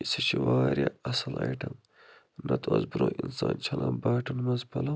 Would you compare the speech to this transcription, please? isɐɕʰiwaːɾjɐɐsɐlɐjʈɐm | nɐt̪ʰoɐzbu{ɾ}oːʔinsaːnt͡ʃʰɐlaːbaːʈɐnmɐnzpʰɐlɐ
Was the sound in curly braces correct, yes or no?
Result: yes